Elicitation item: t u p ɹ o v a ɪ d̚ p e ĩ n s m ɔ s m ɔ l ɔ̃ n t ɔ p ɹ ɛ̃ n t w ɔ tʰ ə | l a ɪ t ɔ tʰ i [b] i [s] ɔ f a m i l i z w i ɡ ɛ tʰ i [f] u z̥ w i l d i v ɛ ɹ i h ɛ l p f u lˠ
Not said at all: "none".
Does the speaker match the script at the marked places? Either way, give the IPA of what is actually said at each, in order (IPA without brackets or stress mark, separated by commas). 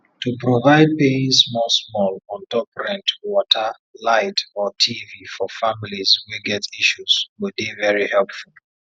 v, f, ʃ